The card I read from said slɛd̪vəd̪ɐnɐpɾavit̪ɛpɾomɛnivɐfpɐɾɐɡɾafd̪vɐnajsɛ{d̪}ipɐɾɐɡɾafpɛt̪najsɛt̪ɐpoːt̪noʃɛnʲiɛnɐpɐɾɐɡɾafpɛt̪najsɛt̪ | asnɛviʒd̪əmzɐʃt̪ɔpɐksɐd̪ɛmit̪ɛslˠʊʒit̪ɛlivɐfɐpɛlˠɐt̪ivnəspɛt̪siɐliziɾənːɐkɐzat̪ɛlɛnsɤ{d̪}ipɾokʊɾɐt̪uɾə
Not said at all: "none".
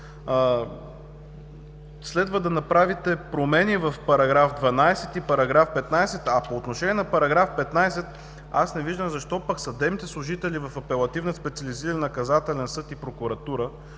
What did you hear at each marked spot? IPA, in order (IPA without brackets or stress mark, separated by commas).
t̪, t̪